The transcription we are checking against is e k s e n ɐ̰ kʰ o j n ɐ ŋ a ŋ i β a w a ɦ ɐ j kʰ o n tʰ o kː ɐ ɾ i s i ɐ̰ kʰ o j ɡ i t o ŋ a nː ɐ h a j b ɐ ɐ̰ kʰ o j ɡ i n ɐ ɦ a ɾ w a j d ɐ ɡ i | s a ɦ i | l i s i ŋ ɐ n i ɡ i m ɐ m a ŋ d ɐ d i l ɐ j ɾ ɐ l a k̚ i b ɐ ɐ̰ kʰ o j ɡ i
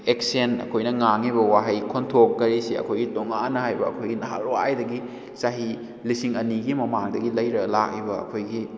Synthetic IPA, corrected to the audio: e k s e n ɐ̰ kʰ o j n ɐ ŋ a ŋ i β ɐ w a ɦ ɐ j kʰ o n tʰ o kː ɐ ɾ i s i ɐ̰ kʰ o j ɡ i t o ŋ a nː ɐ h a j b ɐ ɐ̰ kʰ o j ɡ i n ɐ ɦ a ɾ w a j d ɐ ɡ i | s a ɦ i | l i s i ŋ ɐ n i ɡ i m ɐ m a ŋ d ɐ ɡ i l ɐ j ɾ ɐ l a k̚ i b ɐ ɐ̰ kʰ o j ɡ i